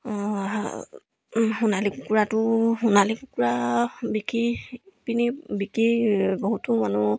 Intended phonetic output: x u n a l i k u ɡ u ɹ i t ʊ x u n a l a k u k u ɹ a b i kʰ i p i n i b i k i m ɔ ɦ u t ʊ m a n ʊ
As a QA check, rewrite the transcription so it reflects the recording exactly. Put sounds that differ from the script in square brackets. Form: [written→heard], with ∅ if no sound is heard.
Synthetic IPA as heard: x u n a l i k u [ɡ→k] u ɹ [i→a] t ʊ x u n a l [a→i] k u k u ɹ a b i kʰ i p i n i b i k i [m→b] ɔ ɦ u t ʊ m a n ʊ

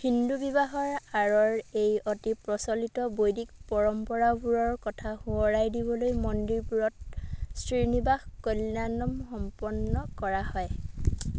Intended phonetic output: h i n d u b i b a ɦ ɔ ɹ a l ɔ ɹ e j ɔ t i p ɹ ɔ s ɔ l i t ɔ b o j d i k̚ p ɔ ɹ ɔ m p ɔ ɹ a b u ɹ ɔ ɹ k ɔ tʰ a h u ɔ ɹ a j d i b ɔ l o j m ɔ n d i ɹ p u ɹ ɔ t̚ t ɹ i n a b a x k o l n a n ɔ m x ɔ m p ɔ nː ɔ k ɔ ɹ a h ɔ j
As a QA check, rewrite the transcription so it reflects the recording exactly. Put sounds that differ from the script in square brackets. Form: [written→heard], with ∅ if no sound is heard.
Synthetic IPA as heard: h i n d u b i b a ɦ ɔ ɹ a [l→ɹ] ɔ ɹ e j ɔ t i p ɹ ɔ s ɔ l i t ɔ b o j d i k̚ p ɔ ɹ ɔ m p ɔ ɹ a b u ɹ ɔ ɹ k ɔ tʰ a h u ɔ ɹ a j d i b ɔ l o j m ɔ n d i ɹ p u ɹ ɔ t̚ [t→s] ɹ i n [a→i] b a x k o l n a n ɔ m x ɔ m p ɔ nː ɔ k ɔ ɹ a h ɔ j

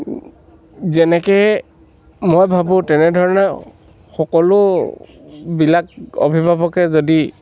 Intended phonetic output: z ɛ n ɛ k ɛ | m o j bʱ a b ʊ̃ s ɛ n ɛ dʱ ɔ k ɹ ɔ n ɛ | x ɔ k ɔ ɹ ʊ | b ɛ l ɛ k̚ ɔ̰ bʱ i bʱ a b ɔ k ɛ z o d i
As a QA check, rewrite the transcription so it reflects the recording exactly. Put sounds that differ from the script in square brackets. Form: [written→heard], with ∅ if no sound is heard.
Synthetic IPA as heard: z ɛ n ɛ k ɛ | m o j bʱ a b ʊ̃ [s→t] ɛ n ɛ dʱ ɔ [k→∅] ɹ ɔ n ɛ | x ɔ k ɔ [ɹ→l] ʊ | b [ɛ→i] l [ɛ→a] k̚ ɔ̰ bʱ i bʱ a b ɔ k ɛ z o d i

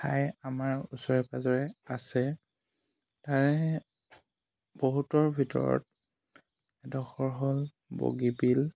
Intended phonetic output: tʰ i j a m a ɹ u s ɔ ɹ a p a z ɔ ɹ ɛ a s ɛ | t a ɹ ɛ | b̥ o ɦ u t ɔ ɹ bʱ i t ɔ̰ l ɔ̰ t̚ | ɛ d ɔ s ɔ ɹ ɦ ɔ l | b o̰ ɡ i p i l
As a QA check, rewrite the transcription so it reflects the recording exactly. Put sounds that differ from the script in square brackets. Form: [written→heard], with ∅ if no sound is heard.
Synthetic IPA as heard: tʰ [i→a] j a m a ɹ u s ɔ ɹ [a→ɛ] p a z ɔ ɹ ɛ a s ɛ | t a ɹ ɛ | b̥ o ɦ u t ɔ ɹ bʱ i t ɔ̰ [l→ɹ] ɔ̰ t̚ | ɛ d ɔ [s→x] ɔ ɹ ɦ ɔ l | b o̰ ɡ i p i l

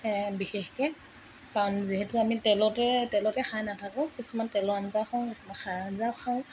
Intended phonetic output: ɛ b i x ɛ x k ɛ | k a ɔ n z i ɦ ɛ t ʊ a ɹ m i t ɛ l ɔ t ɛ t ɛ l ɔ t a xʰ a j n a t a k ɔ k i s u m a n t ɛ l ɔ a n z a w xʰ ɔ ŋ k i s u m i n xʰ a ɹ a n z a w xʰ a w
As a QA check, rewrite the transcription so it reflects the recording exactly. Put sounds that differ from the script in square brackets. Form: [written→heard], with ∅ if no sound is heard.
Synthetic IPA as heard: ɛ b i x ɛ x k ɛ | k a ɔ n z i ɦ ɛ t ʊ a [ɹ→∅] m i t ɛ l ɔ t ɛ t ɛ l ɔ t [a→ɛ] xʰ a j n a [t→tʰ] a k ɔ k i s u m a n t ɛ l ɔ a n z a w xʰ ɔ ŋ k i s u m [i→a] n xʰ a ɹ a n z a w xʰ a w

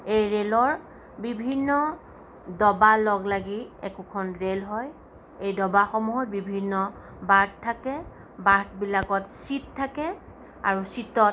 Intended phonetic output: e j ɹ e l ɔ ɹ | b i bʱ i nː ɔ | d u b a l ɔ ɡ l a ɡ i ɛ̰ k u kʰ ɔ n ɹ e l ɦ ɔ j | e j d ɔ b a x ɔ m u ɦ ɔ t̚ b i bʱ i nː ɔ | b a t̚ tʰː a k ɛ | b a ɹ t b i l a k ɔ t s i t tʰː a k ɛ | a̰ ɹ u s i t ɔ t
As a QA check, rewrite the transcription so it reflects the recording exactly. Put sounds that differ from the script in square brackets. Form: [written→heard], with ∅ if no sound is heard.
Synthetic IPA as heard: e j ɹ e l ɔ ɹ | b i bʱ i nː ɔ | d [u→ɔ] b a l ɔ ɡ l a ɡ i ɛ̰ k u kʰ ɔ n ɹ e l ɦ ɔ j | e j d ɔ b a x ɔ m u ɦ ɔ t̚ b i bʱ i nː ɔ | b a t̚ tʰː a k ɛ | b a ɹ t b i l a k ɔ t s i t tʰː a k ɛ | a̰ ɹ u s i t ɔ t

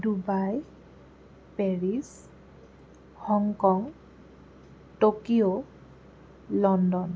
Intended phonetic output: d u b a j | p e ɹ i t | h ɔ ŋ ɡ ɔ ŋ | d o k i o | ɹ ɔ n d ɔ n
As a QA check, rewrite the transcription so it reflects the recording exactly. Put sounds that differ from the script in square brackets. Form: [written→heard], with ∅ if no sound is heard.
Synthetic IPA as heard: d u b a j | p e ɹ i [t→s] | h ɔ ŋ [ɡ→k] ɔ ŋ | [d→t] o k i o | [ɹ→l] ɔ n d ɔ n

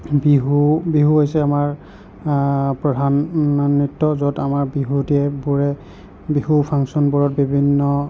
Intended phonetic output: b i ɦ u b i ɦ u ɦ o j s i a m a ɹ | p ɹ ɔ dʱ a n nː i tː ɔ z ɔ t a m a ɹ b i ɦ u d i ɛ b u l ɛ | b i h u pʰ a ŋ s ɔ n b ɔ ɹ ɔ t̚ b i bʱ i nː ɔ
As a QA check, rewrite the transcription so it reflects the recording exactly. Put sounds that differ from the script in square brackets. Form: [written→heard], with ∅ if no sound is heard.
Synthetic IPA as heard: b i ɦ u b i ɦ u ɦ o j s [i→ɛ] a m a ɹ | p ɹ ɔ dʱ a n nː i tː ɔ z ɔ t a m a ɹ b i ɦ u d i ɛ b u [l→ɹ] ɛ | b i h u pʰ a ŋ s ɔ n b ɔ ɹ ɔ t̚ b i bʱ i nː ɔ

